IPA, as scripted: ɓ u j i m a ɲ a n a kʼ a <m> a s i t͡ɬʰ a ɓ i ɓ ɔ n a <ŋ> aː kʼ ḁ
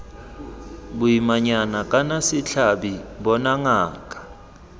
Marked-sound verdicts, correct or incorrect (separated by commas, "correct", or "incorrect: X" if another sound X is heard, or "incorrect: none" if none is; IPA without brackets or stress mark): incorrect: n, correct